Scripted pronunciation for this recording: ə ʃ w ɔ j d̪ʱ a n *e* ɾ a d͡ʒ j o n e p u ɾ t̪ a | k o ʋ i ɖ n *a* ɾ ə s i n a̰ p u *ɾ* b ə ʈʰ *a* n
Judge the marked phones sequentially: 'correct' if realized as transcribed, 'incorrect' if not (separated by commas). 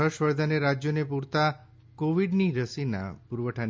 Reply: correct, incorrect, correct, correct